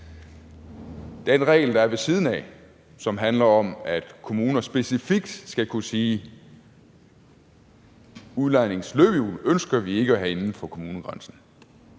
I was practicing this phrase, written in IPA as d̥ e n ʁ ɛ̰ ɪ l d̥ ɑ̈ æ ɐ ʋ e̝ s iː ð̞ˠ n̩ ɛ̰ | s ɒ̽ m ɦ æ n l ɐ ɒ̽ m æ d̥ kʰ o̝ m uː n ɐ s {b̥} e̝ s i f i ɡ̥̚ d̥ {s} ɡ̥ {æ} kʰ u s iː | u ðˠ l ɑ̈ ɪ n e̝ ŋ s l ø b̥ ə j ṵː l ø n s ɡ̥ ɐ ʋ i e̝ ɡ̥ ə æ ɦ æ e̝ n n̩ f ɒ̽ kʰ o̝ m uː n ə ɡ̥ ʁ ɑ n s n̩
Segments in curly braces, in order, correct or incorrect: correct, correct, correct

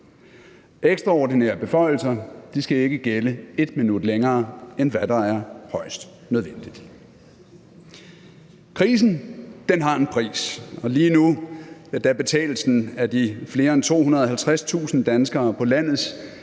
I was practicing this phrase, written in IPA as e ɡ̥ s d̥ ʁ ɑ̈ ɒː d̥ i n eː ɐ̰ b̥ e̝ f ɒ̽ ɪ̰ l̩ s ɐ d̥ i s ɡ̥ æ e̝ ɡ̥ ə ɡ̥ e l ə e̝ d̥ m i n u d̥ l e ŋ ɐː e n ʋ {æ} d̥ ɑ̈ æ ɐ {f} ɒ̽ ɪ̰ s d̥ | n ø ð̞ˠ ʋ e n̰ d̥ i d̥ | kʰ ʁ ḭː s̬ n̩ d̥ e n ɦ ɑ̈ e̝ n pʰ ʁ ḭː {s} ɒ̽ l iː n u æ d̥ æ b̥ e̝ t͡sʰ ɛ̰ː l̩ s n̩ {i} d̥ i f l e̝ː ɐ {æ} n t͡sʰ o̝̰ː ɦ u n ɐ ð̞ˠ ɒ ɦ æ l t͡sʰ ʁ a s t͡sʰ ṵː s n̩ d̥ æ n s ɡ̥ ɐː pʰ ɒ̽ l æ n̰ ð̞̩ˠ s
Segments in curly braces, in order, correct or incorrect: correct, incorrect: h, correct, incorrect: æ, incorrect: e

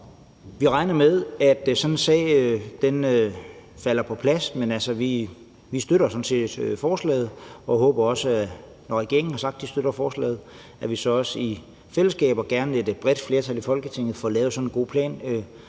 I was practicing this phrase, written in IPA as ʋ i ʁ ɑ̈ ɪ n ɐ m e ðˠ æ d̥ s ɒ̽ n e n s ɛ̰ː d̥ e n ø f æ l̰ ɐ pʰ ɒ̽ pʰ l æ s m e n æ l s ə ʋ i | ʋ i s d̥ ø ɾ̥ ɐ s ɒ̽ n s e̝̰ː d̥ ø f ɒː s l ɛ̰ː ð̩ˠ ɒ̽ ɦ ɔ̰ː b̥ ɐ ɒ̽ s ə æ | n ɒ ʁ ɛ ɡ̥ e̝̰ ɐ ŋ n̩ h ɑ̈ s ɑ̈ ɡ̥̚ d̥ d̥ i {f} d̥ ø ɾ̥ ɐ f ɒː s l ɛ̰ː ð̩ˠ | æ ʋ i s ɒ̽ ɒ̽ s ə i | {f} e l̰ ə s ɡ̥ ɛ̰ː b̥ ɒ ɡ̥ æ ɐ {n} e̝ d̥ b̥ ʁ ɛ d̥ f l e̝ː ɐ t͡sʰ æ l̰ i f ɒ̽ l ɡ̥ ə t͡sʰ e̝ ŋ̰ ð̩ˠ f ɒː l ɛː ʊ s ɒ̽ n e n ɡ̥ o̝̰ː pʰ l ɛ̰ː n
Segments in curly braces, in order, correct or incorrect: incorrect: s, correct, correct

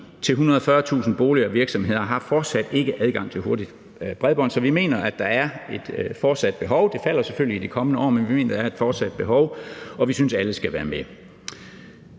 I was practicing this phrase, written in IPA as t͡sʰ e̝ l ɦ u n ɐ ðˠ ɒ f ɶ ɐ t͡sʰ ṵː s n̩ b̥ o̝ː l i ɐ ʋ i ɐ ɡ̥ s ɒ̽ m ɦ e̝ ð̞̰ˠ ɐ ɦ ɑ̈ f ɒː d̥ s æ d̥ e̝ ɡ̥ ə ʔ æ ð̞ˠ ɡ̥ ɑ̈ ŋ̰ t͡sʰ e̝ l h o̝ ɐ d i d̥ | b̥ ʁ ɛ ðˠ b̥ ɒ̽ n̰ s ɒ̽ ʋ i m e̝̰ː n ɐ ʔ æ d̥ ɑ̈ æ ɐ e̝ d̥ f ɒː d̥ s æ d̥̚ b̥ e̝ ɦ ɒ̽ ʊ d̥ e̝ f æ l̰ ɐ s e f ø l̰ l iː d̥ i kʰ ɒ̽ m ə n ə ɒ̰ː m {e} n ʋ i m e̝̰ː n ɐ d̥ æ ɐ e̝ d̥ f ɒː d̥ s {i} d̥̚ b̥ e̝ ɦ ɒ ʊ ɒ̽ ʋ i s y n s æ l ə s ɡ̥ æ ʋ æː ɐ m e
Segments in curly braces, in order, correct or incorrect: correct, incorrect: æ

